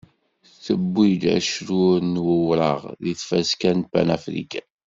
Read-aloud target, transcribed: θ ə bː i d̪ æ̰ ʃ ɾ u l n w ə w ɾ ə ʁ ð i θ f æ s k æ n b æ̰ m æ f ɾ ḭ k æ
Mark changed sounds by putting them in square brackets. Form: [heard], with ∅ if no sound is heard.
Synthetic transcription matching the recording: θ ə bː i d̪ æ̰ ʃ ɾ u [ɾ] n w ə w ɾ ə ʁ ð i θ f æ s k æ n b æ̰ [n] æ f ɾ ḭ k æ